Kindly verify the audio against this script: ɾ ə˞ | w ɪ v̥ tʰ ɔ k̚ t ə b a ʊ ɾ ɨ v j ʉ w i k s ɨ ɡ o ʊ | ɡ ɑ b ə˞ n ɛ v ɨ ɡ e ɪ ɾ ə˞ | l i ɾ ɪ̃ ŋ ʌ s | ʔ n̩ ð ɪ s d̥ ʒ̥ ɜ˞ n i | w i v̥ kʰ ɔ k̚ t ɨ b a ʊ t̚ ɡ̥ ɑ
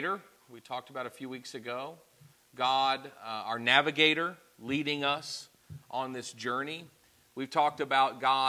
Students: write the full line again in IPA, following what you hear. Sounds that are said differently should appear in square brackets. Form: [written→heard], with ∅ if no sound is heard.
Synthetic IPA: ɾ ə˞ | w [ɪ→i] v̥ tʰ ɔ k̚ t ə b a ʊ ɾ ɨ [v→f] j ʉ w i k s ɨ ɡ o ʊ | ɡ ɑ [b→d] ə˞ n [ɛ→æ] v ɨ ɡ e ɪ ɾ ə˞ | l i ɾ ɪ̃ ŋ ʌ s | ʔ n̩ ð ɪ s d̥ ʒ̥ ɜ˞ n i | w i v̥ [kʰ→tʰ] ɔ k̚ t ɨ b a ʊ t̚ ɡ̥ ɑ